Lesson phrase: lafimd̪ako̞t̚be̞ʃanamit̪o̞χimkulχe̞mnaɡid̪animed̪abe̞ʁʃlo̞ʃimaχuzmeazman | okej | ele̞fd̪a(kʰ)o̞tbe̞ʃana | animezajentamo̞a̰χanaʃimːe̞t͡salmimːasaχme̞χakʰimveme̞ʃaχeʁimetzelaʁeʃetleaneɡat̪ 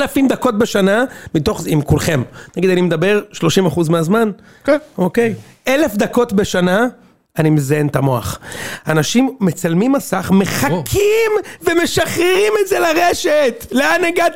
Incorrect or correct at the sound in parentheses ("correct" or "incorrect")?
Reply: incorrect